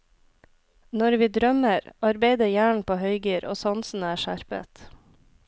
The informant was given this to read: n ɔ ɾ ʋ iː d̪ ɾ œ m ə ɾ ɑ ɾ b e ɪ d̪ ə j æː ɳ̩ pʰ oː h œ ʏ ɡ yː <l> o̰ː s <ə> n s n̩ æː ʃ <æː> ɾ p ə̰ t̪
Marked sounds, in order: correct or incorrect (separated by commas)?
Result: incorrect, incorrect, incorrect